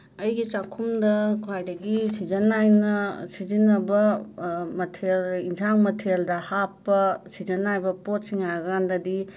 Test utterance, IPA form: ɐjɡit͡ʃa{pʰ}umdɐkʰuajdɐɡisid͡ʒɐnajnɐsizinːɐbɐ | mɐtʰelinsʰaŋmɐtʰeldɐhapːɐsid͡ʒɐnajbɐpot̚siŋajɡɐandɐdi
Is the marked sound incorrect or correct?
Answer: incorrect